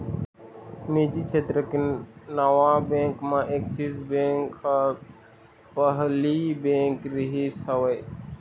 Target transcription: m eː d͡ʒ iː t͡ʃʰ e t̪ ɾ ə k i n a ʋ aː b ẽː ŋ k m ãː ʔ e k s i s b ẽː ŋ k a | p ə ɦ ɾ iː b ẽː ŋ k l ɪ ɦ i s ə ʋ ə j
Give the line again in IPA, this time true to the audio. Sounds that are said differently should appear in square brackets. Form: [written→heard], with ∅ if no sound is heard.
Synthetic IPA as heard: m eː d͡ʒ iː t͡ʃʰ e t̪ ɾ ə k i n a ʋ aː b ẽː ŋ k m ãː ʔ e k s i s b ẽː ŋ k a | p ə ɦ [ɾ→l] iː b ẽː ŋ k [l→ɾ] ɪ ɦ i s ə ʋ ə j